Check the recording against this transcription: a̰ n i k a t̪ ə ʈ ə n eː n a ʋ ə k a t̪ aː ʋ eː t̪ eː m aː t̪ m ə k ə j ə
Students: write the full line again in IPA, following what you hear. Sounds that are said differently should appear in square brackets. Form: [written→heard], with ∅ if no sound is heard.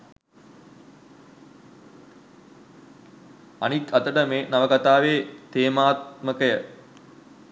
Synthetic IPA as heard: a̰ n i k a t̪ ə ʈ ə [n→m] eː n a ʋ ə k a t̪ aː ʋ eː t̪ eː m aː t̪ m ə k ə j ə